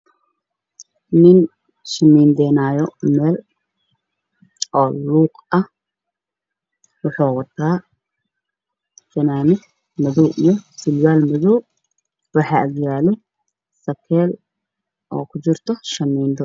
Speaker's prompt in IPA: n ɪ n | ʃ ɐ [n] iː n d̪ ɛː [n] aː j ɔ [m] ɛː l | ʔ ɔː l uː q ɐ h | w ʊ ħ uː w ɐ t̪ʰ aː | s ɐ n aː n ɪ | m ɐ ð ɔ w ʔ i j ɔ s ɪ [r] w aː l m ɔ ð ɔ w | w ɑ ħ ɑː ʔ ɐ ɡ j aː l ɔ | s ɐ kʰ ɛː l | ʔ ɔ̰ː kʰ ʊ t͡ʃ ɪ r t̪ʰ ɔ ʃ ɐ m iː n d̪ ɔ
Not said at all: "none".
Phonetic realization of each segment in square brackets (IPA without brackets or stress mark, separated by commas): m, n, m, l